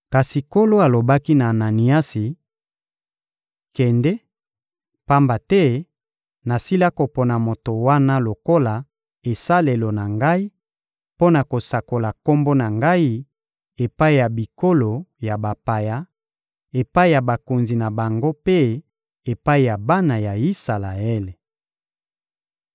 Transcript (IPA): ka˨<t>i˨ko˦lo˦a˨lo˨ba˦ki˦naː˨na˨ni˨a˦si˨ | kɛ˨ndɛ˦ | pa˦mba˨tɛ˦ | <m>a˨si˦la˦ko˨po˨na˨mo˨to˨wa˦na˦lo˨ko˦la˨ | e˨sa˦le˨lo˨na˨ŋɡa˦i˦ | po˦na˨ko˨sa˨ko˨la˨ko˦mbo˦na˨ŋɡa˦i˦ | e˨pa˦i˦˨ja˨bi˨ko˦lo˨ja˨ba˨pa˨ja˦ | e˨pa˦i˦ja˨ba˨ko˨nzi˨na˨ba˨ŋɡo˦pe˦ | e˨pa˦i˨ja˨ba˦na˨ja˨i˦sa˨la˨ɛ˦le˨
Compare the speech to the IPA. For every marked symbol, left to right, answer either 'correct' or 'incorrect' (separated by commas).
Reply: incorrect, incorrect